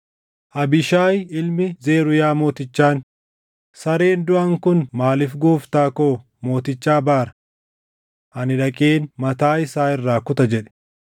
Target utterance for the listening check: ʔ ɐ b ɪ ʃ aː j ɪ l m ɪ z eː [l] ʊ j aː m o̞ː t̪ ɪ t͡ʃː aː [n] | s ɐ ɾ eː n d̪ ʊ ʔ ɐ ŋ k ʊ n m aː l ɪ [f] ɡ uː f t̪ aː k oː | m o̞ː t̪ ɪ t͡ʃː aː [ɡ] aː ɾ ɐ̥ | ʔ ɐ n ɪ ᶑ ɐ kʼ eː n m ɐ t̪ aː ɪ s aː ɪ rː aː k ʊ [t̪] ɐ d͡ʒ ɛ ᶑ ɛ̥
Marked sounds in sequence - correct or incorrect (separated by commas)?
incorrect, correct, correct, incorrect, correct